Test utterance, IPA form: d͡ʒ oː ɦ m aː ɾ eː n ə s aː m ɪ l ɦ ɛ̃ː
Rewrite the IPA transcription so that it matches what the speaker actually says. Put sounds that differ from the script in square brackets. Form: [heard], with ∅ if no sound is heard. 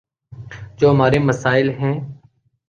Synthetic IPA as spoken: d͡ʒ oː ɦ m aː ɾ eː [m] ə s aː [∅] ɪ l ɦ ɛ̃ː